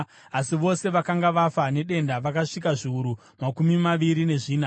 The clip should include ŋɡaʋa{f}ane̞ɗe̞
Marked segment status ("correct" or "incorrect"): correct